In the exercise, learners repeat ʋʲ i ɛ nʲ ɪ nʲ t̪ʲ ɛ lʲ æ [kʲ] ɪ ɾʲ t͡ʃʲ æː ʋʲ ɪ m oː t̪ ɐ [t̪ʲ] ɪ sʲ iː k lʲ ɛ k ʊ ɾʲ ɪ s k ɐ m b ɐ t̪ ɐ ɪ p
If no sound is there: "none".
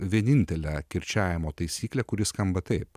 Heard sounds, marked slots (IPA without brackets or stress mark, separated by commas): kʲ, none